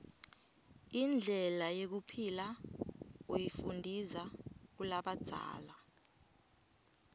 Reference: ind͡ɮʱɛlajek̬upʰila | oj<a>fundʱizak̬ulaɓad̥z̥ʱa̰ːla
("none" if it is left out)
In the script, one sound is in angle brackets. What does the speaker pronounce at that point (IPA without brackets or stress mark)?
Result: i